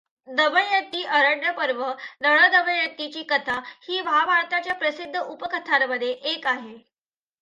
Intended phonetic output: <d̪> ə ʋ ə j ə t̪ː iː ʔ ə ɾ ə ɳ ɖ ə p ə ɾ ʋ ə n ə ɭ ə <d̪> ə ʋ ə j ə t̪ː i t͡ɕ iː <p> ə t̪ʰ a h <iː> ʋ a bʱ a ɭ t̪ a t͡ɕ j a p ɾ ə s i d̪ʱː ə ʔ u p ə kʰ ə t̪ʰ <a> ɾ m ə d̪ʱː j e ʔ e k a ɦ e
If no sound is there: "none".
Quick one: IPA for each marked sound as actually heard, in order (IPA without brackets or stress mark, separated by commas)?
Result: d̪, d̪, k, iː, a